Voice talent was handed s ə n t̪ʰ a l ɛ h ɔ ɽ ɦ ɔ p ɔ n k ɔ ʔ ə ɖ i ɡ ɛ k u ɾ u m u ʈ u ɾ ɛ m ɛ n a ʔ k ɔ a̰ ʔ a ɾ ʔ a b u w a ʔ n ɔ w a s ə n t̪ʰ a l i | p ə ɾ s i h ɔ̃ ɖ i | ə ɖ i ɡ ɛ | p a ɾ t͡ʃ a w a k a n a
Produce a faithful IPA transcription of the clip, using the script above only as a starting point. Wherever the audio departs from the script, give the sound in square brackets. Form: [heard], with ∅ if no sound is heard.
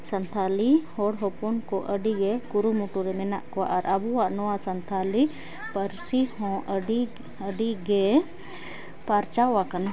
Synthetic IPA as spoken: s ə n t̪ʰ a l [i] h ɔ ɽ ɦ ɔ p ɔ n k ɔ ʔ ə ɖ i ɡ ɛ k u ɾ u m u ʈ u ɾ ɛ m ɛ n a ʔ k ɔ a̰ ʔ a ɾ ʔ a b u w a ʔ n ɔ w a s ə n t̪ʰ a l i | p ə ɾ s i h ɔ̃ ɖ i | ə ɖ i ɡ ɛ | p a ɾ t͡ʃ a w a k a n a

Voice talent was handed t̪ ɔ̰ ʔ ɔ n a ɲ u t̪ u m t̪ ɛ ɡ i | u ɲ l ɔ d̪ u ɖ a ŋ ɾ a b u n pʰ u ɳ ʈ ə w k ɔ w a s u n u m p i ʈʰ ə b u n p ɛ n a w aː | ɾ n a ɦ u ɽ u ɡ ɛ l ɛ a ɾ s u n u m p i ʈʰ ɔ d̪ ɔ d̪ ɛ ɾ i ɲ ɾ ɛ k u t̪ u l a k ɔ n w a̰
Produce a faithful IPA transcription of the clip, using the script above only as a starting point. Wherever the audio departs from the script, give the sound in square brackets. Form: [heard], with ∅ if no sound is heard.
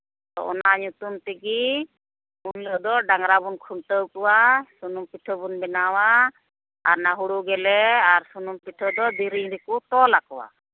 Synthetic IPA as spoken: t̪ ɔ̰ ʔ ɔ n a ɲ u t̪ u m t̪ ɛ ɡ i | u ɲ l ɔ d̪ [ɔ] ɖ a ŋ ɾ a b u n [kʰ] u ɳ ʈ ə w k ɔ w a s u n u m p i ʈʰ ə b u n [b] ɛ n a w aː | ɾ n a ɦ u ɽ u ɡ ɛ l ɛ a ɾ s u n u m p i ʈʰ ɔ d̪ ɔ d̪ [i] ɾ i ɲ ɾ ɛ k u t̪ [ɔ] l a k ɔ [∅] w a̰

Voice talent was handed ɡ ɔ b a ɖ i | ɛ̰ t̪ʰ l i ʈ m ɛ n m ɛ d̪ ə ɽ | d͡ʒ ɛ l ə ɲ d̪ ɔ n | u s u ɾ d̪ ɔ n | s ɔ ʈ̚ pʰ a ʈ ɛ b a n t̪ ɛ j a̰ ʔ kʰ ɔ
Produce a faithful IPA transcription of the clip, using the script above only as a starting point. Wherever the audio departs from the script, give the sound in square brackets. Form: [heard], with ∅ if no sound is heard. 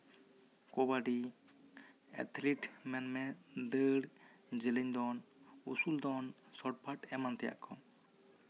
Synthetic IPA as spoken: [k] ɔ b a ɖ i | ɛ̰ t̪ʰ l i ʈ m ɛ n m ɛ d̪ ə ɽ | d͡ʒ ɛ l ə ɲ d̪ ɔ n | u s u [l] d̪ ɔ n | s ɔ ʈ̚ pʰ a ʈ ɛ [m] a n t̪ ɛ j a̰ ʔ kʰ ɔ

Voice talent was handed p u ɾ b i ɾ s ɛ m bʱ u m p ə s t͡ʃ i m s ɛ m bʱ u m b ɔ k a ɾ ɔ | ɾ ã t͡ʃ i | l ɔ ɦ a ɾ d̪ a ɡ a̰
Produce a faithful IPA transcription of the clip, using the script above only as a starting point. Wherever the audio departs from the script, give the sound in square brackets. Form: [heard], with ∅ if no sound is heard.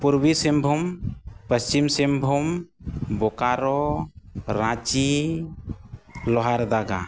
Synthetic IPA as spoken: p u ɾ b i [∅] s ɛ m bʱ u m p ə s t͡ʃ i m s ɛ m bʱ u m b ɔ k a ɾ ɔ | ɾ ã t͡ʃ i | l ɔ ɦ a ɾ d̪ a ɡ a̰

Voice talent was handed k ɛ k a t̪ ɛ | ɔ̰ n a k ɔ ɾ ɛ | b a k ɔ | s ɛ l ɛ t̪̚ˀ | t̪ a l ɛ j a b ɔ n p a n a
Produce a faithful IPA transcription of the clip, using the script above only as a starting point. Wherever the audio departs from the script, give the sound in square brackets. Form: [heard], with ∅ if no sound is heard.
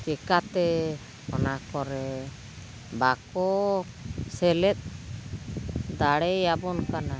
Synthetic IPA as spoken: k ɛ k a t̪ ɛ | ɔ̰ n a k ɔ ɾ ɛ | b a k ɔ | s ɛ l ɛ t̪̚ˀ | [d̪] a [ɽ] ɛ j a b ɔ n [k] a n a

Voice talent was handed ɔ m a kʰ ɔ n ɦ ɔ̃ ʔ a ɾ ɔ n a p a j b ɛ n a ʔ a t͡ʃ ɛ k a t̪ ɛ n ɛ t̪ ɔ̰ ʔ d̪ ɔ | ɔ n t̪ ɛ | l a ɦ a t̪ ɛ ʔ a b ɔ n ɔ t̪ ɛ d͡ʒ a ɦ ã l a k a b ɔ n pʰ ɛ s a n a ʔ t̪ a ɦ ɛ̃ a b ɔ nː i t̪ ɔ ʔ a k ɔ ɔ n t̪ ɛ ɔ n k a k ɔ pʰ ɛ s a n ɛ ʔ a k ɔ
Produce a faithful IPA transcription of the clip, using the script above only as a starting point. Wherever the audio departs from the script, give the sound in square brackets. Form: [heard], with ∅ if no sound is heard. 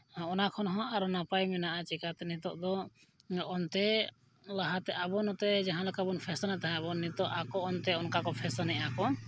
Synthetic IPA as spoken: ɔ [n] a kʰ ɔ n ɦ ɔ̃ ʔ a ɾ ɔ n a p a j [m] ɛ n a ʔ a t͡ʃ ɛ k a t̪ ɛ n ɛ t̪ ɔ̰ ʔ d̪ ɔ | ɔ n t̪ ɛ | l a ɦ a t̪ ɛ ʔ a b ɔ n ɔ t̪ ɛ d͡ʒ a ɦ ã l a k a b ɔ n pʰ ɛ s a n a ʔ t̪ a ɦ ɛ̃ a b ɔ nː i t̪ ɔ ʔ a k ɔ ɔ n t̪ ɛ ɔ n k a k ɔ pʰ ɛ s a n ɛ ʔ a k ɔ

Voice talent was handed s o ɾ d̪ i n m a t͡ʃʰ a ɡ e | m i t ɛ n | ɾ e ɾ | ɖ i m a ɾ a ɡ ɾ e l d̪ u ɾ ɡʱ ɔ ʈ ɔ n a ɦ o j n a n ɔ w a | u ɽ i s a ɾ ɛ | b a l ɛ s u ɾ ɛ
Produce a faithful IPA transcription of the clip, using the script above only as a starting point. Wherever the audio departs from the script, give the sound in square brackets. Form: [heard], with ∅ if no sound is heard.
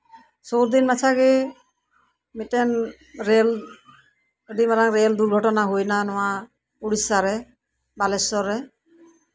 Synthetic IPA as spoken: s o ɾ d̪ i n m a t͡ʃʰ a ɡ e | m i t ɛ n | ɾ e [l] | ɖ i m a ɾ a [ŋ] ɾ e l d̪ u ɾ ɡʱ ɔ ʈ ɔ n a ɦ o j n a n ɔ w a | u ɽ i s a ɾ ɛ | b a l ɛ s [ɔ] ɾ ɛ

